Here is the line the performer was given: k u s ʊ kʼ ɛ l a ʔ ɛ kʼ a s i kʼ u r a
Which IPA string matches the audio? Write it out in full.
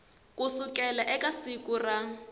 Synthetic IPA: k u s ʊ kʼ ɛ l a ʔ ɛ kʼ a s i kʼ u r a